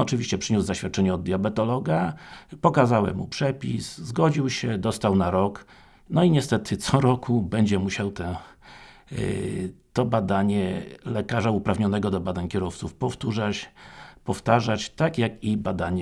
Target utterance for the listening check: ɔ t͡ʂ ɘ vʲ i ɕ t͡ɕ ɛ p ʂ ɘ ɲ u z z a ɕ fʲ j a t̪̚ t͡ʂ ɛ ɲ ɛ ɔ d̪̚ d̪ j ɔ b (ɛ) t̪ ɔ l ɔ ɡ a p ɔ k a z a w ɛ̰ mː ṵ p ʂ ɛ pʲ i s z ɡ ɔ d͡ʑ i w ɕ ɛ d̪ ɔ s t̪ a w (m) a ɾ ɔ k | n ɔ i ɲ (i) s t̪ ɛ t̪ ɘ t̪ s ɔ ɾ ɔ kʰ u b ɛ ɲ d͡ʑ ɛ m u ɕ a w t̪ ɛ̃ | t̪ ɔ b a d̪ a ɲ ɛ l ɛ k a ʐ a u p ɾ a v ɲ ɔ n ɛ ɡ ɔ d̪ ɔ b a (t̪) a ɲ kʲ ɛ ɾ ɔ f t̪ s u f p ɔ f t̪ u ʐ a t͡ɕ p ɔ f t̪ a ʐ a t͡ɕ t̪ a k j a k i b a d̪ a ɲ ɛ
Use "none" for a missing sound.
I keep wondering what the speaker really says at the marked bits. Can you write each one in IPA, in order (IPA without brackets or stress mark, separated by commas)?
ɛ, n, ɛ, d̪